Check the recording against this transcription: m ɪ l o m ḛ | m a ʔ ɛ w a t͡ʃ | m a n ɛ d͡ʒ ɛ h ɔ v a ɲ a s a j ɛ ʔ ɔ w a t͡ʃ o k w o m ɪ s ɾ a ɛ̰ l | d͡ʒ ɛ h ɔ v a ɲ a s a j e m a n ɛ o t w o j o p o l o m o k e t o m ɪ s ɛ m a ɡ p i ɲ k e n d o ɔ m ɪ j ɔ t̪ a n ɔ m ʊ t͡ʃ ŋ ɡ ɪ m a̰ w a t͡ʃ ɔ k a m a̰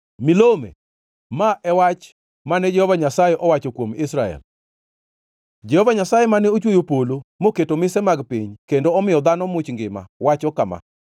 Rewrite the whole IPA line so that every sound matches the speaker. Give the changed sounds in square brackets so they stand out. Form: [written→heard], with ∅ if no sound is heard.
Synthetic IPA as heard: m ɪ l o m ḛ | m a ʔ ɛ w a t͡ʃ | m a n ɛ d͡ʒ ɛ h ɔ v a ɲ a s a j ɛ ʔ ɔ w a t͡ʃ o k w o m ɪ s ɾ a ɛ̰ l | d͡ʒ ɛ h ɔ v a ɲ a s a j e m a n ɛ o [t→t͡ʃ] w o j o p o l o m o k e t o m ɪ s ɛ m a ɡ p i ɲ k e n d o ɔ m ɪ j ɔ [t̪→d̪] a n ɔ m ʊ t͡ʃ ŋ ɡ ɪ m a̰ w a t͡ʃ ɔ k a m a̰